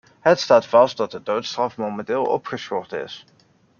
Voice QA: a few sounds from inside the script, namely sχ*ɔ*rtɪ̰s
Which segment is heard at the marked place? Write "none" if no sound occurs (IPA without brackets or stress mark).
ɔ